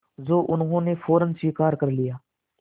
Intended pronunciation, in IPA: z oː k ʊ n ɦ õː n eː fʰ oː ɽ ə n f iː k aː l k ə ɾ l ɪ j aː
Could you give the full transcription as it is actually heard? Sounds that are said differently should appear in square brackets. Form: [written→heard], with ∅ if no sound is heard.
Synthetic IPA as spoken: z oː [k→ʔ] ʊ n ɦ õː n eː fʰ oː [ɽ→ɾ] ə n [f→s] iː k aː [l→ɾ] k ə ɾ l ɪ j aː